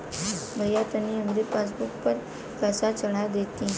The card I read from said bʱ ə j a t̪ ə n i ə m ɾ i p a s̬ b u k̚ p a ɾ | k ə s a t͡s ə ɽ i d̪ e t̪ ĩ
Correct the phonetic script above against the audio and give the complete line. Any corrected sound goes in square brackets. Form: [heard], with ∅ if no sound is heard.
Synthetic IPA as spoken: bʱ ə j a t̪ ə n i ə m ɾ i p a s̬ b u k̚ p [ə] ɾ | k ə s a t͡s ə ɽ [a] d̪ e t̪ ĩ